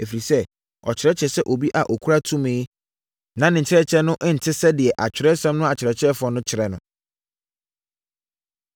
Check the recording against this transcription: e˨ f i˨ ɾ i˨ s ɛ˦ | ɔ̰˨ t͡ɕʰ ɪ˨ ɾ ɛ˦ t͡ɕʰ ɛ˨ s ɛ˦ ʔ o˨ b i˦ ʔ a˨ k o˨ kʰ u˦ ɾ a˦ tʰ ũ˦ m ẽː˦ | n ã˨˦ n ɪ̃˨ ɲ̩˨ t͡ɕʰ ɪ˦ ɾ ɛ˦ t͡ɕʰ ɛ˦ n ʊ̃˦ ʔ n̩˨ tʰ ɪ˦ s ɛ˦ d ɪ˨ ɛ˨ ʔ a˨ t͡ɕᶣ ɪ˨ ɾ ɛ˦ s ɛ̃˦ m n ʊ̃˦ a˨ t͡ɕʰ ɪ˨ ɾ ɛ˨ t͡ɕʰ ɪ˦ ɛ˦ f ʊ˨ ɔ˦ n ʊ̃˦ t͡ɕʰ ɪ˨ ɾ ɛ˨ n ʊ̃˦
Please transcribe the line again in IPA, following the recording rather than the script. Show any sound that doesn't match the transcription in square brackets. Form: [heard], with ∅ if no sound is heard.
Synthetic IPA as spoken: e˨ f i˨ ɾ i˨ s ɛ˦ | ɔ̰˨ t͡ɕʰ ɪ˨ ɾ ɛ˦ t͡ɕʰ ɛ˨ s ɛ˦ ʔ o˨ b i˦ ʔ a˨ [ʔ] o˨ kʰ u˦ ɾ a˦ tʰ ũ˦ m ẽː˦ | n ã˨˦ n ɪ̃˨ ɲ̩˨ t͡ɕʰ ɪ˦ ɾ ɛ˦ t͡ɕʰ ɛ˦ n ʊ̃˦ ʔ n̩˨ tʰ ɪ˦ s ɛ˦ d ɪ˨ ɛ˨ ʔ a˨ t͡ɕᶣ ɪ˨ ɾ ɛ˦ s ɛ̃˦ m n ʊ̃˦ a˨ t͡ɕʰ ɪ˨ ɾ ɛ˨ t͡ɕʰ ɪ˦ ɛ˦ f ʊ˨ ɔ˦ n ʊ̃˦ t͡ɕʰ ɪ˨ ɾ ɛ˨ n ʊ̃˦